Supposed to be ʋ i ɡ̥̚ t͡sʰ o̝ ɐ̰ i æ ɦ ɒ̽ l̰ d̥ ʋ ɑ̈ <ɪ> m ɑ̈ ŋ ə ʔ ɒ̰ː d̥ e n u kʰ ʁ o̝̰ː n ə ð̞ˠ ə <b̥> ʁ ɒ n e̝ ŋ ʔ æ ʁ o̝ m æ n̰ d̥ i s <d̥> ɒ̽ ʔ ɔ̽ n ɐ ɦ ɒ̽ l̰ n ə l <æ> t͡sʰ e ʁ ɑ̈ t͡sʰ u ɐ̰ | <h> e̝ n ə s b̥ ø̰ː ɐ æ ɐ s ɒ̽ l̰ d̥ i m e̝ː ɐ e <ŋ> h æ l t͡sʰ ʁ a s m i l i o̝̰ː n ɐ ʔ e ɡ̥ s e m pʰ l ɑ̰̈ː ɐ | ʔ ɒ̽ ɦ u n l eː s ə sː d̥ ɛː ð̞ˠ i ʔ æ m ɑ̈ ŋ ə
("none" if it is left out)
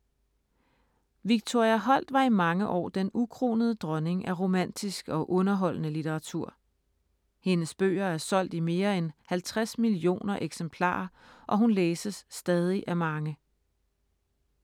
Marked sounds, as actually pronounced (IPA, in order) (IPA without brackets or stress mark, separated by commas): i, d̥, ɡ̥, i, h, n